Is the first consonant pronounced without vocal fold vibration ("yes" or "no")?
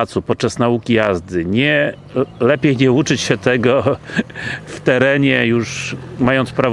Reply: yes